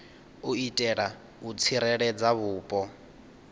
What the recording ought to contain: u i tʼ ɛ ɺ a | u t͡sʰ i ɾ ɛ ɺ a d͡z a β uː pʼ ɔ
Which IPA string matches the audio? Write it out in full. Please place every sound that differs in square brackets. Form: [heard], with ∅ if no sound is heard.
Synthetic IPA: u i tʼ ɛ ɺ a | u t͡sʰ i ɾ ɛ ɺ [ɛ] d͡z a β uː pʼ ɔ